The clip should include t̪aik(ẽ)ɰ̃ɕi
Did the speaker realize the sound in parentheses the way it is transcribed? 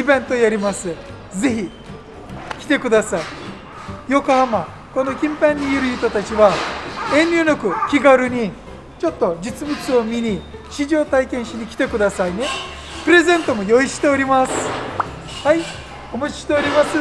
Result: yes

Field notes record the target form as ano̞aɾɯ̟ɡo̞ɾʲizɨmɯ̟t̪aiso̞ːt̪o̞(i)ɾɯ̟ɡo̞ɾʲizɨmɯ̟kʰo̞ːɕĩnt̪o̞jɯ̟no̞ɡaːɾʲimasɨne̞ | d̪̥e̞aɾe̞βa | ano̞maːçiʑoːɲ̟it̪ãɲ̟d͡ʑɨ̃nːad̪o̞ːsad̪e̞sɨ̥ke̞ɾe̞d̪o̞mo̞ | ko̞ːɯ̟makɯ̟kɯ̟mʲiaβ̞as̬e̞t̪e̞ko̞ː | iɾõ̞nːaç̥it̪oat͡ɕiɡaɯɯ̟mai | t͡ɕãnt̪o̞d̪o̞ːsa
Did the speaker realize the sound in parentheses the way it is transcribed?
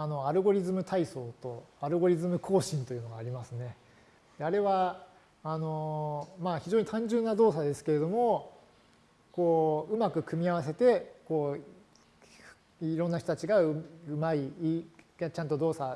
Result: no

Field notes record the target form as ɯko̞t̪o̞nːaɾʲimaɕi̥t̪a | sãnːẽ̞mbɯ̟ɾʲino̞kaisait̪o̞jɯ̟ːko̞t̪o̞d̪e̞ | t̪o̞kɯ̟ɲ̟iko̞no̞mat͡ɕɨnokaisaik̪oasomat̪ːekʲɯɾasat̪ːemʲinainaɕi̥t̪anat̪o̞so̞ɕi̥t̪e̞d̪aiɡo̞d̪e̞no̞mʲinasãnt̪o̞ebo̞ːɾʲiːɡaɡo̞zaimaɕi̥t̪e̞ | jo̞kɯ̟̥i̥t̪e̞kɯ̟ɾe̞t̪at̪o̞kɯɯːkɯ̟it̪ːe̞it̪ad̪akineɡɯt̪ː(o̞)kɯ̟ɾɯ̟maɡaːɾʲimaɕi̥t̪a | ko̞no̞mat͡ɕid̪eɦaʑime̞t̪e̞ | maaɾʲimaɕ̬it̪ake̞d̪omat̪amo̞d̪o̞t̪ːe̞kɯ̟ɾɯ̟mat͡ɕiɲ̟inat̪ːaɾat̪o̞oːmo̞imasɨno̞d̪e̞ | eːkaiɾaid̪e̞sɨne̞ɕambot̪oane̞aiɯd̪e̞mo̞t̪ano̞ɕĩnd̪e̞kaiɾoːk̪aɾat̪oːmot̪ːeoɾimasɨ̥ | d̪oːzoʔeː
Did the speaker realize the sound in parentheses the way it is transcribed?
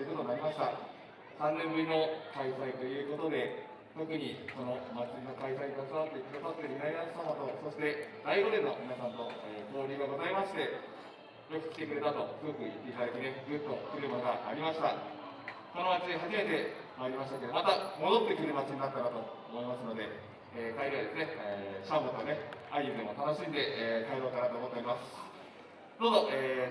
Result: yes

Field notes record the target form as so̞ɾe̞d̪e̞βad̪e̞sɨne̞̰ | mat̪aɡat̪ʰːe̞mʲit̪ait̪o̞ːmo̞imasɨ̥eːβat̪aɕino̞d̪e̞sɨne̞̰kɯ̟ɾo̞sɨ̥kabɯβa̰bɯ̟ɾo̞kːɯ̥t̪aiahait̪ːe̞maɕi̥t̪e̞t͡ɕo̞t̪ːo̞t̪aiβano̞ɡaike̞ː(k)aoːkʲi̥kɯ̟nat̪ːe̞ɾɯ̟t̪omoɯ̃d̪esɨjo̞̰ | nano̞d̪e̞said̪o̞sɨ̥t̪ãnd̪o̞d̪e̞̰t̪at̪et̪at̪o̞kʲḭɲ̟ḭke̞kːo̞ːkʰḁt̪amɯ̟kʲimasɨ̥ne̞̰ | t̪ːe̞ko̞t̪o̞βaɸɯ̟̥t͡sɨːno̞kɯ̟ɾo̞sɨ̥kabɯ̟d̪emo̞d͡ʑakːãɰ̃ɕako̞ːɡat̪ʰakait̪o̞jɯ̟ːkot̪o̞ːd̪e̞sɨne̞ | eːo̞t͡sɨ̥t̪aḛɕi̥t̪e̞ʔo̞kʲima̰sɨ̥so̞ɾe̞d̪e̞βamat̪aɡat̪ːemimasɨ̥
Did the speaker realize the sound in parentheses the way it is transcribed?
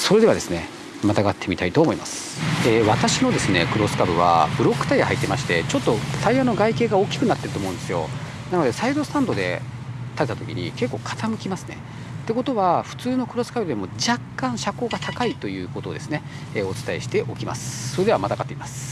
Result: no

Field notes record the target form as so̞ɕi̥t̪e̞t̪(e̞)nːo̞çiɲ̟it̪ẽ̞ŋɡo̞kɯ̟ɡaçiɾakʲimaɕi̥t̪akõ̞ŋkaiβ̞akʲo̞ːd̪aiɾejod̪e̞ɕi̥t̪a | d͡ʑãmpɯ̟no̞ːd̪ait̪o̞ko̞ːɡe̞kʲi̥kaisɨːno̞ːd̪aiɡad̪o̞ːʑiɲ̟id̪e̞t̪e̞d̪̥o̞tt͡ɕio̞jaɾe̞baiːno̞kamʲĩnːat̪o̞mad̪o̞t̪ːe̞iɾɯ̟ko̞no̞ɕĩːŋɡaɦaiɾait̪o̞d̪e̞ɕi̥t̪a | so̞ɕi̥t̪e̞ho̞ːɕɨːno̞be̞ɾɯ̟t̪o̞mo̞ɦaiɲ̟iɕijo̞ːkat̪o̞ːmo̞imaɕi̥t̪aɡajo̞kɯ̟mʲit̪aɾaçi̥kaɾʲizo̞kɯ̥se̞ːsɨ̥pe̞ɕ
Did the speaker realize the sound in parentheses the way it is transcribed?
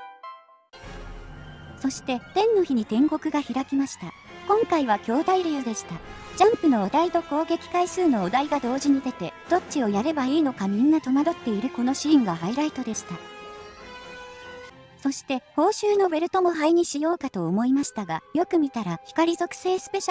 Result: no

